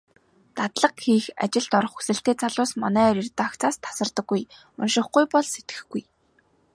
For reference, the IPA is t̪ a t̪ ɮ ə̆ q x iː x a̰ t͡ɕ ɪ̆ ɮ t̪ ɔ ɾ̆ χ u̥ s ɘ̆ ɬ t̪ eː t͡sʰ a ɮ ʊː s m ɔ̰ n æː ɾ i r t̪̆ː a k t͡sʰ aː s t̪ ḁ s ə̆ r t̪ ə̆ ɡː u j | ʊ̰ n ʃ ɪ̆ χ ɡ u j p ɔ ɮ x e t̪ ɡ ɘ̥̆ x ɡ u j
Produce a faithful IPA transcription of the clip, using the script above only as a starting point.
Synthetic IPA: t̪ a t̪ ɮ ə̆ q x iː x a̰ t͡ɕ ɪ̆ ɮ t̪ ɔ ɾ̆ χ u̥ s ɘ̆ ɬ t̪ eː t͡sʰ a ɮ ʊː s m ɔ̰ n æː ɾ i r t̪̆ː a k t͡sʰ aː s t̪ʰ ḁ s ə̆ r t̪ ə̆ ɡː u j | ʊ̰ n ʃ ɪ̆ χ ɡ u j p ɔ ɮ s e t̪ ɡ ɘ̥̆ x ɡ u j